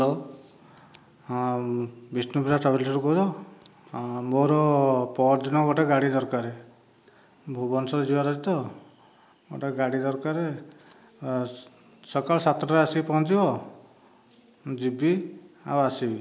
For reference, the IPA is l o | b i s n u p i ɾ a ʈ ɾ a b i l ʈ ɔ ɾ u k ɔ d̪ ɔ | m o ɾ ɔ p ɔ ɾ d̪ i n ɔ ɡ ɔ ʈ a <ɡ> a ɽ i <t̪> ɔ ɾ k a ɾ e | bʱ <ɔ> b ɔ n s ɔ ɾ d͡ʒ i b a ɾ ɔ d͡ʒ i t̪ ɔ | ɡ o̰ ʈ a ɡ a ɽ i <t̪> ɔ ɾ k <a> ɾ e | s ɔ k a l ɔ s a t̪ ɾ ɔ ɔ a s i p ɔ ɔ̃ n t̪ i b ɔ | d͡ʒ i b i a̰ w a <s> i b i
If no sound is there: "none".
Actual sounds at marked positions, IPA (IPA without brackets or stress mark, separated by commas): ɡ, d̪, u, d̪, a, s